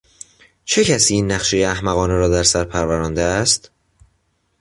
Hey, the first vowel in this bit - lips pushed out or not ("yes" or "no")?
no